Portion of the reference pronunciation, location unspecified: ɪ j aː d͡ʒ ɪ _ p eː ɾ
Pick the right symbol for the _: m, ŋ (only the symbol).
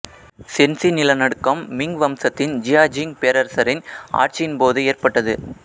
ŋ